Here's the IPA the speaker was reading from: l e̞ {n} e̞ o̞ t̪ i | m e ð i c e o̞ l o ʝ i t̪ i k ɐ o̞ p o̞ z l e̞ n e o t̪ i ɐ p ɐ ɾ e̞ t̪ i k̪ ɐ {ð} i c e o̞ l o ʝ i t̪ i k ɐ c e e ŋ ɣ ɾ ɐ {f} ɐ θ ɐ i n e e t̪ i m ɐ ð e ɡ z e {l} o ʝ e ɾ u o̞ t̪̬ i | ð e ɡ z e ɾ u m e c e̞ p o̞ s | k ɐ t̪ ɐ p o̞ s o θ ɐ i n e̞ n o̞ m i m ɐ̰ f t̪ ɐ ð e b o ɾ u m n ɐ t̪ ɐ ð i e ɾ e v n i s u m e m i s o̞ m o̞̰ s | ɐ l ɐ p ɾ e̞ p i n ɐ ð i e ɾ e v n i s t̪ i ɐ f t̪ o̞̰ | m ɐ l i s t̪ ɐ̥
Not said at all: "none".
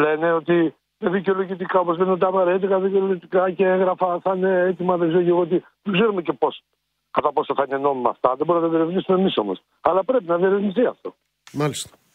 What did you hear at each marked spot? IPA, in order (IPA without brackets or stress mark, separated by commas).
n, ð, f, ɾ